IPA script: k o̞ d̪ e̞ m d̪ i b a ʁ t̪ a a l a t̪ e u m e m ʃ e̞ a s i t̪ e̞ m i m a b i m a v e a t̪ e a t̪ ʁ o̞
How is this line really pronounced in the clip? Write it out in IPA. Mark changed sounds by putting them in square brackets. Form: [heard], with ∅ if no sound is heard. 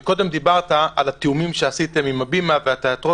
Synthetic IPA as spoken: k o̞ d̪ e̞ m d̪ i b a ʁ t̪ a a l a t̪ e u m [i] m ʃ e̞ a s i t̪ e̞ m i m a b i m a v e a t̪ e a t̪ ʁ o̞